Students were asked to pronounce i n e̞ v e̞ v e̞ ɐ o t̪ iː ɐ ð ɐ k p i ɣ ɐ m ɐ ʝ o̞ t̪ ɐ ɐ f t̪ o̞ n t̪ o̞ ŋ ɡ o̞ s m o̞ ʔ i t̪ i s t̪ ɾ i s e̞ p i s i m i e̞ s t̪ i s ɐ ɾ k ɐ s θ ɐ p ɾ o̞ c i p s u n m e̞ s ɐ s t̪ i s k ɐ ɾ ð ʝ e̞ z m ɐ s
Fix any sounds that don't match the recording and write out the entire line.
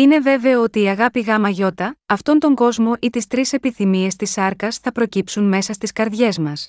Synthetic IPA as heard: i n e̞ v e̞ v e̞ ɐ o t̪ iː ɐ ɣ ɐ p i ɣ ɐ m ɐ ʝ o̞ t̪ ɐ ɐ f t̪ o̞ n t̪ o̞ ŋ ɡ o̞ z m o̞ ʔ i t̪ i s t̪ ɾ i s e̞ p i θ i m i e̞ s t̪ i s ɐ ɾ k ɐ s θ ɐ p ɾ o̞ c i p s u n m e̞ s ɐ s t̪ i s k ɐ ɾ ð ʝ e̞ z m ɐ s